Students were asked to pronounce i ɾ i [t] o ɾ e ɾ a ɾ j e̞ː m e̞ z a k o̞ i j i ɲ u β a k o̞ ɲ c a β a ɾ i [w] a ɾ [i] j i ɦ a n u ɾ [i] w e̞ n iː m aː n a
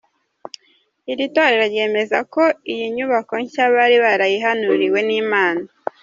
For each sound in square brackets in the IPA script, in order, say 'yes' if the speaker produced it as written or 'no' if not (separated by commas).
yes, no, no, yes